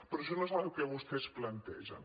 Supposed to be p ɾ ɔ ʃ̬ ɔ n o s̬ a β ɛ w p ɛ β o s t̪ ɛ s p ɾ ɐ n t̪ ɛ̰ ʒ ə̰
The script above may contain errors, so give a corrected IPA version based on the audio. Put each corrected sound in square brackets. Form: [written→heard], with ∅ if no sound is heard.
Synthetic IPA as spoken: p ɾ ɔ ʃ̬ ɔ n o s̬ a β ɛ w [p→k] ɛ β [o→u] s t̪ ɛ s p [ɾ→l] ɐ n t̪ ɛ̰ ʒ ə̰